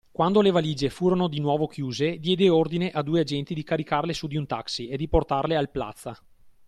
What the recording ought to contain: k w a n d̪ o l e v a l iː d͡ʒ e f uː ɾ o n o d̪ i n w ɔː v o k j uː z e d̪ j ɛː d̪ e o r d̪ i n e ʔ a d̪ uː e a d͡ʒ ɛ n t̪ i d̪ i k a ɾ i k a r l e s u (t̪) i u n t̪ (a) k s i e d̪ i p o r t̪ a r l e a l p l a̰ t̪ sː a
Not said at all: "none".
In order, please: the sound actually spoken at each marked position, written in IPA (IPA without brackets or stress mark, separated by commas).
d̪, a